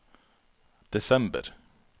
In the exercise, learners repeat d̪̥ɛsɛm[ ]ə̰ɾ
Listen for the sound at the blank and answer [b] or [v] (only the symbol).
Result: b